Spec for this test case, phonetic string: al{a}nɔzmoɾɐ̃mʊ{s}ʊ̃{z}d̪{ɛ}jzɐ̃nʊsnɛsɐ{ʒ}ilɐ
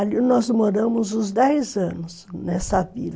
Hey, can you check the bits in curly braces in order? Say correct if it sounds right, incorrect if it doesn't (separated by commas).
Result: incorrect, incorrect, correct, correct, incorrect